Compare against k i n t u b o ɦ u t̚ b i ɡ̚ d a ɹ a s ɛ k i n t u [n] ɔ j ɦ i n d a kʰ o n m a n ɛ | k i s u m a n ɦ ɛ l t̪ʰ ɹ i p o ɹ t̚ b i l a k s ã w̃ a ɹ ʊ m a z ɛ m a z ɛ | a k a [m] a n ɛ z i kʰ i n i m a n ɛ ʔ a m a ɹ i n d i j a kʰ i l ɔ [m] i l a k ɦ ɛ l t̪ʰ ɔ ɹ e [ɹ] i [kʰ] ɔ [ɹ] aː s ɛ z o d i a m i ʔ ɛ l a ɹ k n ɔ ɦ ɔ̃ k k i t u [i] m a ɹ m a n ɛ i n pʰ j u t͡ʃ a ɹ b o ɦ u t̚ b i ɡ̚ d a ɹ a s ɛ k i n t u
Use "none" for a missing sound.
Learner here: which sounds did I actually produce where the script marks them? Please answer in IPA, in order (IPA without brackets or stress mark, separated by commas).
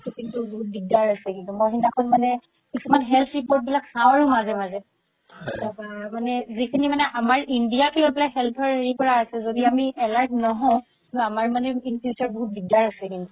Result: m, m, b, ɹ, k, ɹ, a